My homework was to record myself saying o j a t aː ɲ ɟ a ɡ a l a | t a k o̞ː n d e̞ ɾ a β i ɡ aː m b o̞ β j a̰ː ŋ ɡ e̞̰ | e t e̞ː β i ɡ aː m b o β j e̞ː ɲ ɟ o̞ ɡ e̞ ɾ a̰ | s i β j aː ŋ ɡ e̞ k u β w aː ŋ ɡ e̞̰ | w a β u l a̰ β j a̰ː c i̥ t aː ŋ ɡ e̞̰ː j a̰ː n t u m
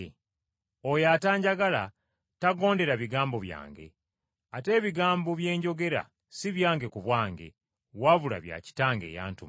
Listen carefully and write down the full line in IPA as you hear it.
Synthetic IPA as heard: o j a t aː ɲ ɟ a ɡ a l a | t a ɡ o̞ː n d e̞ ɾ a β i ɡ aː m b o̞ β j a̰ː ŋ ɡ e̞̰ | a t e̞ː β i ɡ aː m b o β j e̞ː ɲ ɟ o̞ ɡ e̞ ɾ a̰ | s i β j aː ŋ ɡ e̞ k u β w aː ŋ ɡ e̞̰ | w a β u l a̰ β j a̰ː c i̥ t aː ŋ ɡ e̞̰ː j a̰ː n t u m